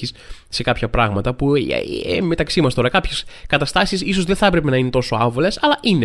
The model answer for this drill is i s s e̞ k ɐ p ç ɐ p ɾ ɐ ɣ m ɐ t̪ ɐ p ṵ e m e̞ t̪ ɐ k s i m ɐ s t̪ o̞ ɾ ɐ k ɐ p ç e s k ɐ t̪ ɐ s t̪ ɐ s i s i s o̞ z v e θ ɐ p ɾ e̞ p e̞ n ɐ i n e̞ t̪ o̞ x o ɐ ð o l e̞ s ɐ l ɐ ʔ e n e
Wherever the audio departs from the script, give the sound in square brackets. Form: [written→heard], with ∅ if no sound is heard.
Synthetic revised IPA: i s s e̞ k ɐ p ç ɐ p ɾ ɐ ɣ m ɐ t̪ ɐ p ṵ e m e̞ t̪ ɐ k s i m ɐ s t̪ o̞ ɾ ɐ k ɐ p ç e s k ɐ t̪ ɐ s t̪ ɐ s i s i s o̞ z [v→ð] e θ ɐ p ɾ e̞ p e̞ n ɐ i n e̞ t̪ o̞ [x→s] o ɐ [ð→v] o l e̞ s ɐ l ɐ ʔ [e→i] n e